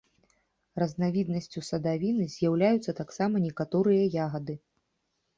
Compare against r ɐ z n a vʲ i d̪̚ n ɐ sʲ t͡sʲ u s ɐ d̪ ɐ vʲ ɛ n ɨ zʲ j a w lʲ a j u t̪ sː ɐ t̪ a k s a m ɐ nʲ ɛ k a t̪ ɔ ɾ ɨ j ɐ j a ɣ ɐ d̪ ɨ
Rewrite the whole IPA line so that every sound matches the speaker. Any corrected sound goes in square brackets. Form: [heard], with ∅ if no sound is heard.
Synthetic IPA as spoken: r ɐ z n a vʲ i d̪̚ n ɐ sʲ t͡sʲ u s ɐ d̪ [a] vʲ [i] n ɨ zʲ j a w lʲ a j u t̪ sː ɐ t̪ a k s a m ɐ nʲ ɛ k a t̪ ɔ ɾ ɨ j ɐ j a ɣ ɐ d̪ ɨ